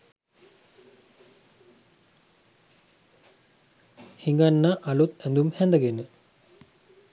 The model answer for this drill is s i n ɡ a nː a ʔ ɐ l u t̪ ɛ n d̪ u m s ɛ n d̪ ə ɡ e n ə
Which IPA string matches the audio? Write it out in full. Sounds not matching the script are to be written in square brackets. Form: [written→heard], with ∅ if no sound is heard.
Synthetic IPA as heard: [s→h] i [n→ŋ] ɡ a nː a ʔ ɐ l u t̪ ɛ n d̪ u m [s→h] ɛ n d̪ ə ɡ e n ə